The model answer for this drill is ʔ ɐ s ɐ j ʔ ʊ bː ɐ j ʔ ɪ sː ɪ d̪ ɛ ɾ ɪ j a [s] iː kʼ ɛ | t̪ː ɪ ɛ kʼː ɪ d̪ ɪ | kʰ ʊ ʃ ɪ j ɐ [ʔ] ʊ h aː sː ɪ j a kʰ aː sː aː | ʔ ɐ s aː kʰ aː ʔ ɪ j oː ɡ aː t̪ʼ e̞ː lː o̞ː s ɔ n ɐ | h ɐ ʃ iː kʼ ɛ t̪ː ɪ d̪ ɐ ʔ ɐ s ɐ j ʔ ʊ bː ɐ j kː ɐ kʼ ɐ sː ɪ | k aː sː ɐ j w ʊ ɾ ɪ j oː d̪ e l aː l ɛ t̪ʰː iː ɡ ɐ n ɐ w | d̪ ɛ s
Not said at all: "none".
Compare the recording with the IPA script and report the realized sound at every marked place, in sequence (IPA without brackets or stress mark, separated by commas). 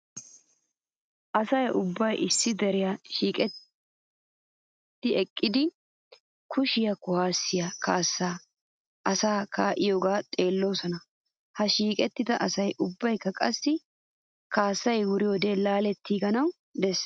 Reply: ʃ, k